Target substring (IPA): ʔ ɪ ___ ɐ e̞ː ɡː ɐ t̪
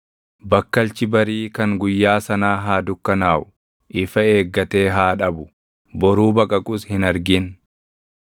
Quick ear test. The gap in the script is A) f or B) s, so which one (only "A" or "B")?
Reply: A